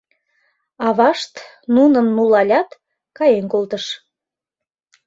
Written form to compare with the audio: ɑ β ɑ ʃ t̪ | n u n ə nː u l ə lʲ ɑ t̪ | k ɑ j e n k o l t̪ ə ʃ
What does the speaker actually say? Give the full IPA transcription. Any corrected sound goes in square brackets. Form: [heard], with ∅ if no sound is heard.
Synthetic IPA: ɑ β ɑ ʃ t̪ | n u n ə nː u l [ɑ] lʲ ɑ t̪ | k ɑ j e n k o l t̪ ə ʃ